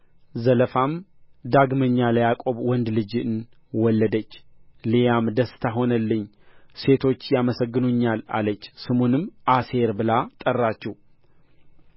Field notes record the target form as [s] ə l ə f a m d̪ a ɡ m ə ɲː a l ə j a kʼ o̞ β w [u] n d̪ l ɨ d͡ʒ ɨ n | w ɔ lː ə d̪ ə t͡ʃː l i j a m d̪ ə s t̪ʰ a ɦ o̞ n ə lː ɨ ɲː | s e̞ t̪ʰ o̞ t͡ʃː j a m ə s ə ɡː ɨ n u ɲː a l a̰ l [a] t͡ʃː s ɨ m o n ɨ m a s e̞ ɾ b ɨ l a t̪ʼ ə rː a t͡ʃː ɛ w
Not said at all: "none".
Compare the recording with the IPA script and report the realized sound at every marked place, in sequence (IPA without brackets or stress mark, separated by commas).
z, ɔ, ə